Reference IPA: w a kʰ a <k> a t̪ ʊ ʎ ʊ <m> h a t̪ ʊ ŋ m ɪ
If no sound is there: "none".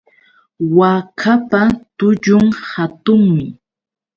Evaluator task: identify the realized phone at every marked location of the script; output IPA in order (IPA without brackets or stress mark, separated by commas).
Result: p, ŋ